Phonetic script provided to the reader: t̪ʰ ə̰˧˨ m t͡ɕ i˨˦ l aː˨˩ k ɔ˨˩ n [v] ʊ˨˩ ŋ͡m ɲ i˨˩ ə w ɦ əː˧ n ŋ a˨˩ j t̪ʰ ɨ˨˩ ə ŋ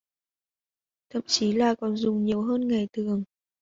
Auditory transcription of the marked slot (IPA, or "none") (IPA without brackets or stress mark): z